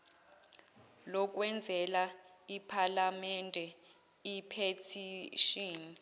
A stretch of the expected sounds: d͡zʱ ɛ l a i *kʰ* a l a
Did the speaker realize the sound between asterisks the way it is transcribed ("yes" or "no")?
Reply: no